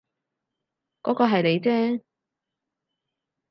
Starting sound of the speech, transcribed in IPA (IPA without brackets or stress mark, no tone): k